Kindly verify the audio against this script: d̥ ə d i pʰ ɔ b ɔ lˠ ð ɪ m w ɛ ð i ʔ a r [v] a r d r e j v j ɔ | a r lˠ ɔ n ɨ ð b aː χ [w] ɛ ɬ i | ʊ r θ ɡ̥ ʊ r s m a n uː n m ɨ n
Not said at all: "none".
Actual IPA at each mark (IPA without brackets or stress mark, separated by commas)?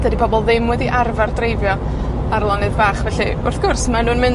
v, v